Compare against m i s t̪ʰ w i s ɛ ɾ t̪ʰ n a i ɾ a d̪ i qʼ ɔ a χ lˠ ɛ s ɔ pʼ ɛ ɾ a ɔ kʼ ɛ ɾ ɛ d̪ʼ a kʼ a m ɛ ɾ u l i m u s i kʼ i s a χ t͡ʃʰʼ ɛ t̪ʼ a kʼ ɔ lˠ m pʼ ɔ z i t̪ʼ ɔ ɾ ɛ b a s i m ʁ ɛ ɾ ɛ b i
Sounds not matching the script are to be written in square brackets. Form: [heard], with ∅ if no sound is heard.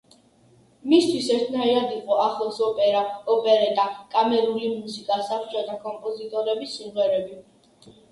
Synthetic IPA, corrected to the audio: m i s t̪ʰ w i s ɛ ɾ t̪ʰ n a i ɾ a d̪ i qʼ ɔ a χ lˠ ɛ s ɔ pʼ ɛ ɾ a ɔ [pʼ] ɛ ɾ ɛ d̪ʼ a kʼ a m ɛ ɾ u l i m u s i kʼ [a] s a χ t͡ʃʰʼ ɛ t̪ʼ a kʼ ɔ [∅] m pʼ ɔ z i t̪ʼ ɔ ɾ ɛ b [i] s i m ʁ ɛ ɾ ɛ b i